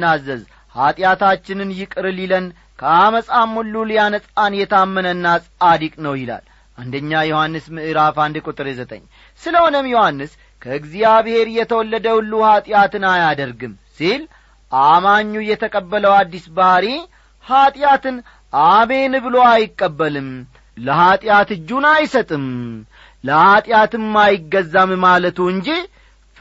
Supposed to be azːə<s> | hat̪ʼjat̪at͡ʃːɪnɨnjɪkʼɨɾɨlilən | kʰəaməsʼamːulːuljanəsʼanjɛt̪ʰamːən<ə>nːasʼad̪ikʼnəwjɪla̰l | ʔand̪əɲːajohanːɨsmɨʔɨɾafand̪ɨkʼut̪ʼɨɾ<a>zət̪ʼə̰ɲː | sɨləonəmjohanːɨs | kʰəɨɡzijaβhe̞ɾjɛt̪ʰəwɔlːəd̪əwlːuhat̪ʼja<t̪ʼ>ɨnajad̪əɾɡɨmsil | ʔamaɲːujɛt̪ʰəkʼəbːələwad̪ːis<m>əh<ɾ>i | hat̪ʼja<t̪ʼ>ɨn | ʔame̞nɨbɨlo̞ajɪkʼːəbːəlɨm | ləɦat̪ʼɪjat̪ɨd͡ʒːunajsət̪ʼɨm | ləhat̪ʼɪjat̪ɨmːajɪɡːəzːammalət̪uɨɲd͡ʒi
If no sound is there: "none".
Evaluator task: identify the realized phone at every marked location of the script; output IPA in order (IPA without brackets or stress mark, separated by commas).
z, ə, e, t̪, b, ɾ, t̪